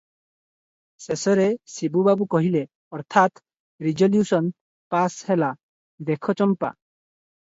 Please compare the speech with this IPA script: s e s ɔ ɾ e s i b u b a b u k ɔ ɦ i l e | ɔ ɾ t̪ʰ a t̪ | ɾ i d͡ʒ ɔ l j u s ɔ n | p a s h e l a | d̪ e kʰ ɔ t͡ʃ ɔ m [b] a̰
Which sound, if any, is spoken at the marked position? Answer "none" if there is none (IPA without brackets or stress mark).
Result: p